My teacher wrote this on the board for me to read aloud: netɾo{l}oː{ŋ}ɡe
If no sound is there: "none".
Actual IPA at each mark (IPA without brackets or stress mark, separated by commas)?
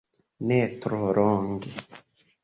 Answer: ɾ, ŋ